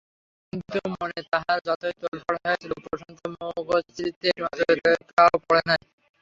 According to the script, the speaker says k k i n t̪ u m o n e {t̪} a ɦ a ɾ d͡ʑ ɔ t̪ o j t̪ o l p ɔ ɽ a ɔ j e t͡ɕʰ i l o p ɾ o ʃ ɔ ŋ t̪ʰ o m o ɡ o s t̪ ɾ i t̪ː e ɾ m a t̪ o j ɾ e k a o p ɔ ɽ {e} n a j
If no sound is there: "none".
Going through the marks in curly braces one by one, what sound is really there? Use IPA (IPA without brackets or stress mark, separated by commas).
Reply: t̪, e